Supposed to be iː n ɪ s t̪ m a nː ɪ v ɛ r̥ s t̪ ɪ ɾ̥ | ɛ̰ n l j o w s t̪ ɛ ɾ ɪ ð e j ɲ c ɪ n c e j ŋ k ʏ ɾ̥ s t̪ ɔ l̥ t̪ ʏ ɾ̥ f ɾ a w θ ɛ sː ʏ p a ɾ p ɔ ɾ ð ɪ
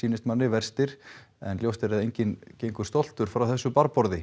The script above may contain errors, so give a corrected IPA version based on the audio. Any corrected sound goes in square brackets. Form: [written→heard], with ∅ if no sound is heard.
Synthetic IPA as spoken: iː n ɪ s t̪ m a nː ɪ v ɛ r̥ s t̪ ɪ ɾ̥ | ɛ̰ n l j o w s t̪ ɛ ɾ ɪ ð e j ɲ c ɪ n c e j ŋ k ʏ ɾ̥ s t̪ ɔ l̥ t̪ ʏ ɾ̥ f ɾ a w θ ɛ sː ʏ p a ɾ p ɔ ɾ ð ɪ